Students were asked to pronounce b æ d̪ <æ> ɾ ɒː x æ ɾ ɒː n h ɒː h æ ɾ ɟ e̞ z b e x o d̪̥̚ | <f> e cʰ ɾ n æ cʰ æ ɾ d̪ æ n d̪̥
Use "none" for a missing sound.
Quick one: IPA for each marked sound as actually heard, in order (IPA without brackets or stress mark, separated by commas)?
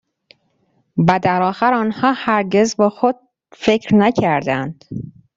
æ, f